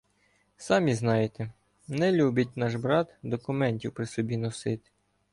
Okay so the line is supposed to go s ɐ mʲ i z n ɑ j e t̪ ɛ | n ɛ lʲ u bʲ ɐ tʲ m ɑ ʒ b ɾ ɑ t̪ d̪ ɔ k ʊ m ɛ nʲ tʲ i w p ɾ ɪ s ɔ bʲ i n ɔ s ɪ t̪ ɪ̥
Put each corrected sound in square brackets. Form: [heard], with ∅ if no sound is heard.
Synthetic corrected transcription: s [ɑ] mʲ i z n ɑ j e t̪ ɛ | n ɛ lʲ u bʲ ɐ tʲ [n] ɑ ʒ b ɾ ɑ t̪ d̪ ɔ k ʊ m ɛ nʲ tʲ i w p ɾ ɪ s ɔ bʲ i n ɔ s ɪ t̪ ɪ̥